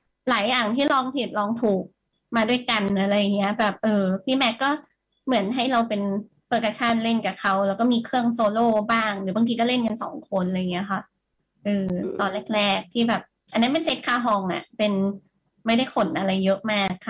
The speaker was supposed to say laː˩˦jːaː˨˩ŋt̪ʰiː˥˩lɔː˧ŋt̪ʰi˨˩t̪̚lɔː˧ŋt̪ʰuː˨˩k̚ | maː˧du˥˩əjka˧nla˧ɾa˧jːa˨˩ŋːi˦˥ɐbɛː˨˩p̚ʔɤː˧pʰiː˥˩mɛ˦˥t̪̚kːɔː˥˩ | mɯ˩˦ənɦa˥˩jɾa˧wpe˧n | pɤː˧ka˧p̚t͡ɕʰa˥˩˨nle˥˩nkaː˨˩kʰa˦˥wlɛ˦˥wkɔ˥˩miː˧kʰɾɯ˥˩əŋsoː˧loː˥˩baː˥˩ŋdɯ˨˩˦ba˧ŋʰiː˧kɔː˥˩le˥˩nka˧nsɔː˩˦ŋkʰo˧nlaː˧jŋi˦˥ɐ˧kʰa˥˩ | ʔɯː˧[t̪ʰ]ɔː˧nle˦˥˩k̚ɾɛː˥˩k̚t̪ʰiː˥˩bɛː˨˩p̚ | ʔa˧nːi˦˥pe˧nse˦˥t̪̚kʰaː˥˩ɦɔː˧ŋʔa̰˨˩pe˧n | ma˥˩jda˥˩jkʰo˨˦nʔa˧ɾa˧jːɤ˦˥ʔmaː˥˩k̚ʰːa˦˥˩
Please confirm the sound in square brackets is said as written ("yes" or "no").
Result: no